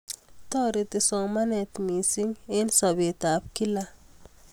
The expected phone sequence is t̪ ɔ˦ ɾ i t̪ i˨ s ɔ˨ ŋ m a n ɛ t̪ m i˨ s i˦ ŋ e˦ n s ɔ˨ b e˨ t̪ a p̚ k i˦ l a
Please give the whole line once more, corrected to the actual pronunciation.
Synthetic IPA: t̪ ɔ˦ ɾ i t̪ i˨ s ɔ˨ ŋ m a n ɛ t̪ m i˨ s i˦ ŋ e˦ n s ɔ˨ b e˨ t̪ a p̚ k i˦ l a